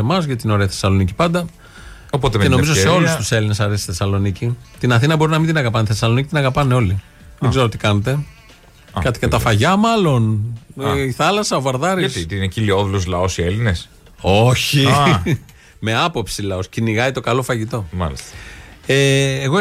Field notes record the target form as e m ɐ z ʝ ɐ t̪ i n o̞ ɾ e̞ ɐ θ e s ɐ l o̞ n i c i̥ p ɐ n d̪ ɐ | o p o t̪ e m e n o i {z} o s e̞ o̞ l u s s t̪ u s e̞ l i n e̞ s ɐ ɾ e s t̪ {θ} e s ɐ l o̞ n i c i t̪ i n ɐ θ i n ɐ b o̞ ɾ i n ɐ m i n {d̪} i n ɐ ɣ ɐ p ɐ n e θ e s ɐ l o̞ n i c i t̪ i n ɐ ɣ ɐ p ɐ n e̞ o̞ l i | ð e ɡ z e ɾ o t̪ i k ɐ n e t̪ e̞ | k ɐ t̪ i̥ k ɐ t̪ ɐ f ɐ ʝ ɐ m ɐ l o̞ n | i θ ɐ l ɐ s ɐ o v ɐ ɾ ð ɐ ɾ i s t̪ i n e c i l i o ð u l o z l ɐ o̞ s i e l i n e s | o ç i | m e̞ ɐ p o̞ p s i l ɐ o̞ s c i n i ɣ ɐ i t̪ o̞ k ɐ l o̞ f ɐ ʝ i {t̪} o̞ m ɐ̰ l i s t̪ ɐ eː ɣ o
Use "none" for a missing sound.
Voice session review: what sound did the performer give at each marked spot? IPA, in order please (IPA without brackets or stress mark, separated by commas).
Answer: z, θ, d̪, t̪